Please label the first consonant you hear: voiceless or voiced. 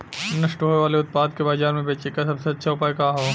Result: voiced